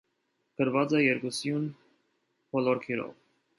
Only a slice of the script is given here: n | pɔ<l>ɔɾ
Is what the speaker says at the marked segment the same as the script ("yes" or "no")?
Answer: yes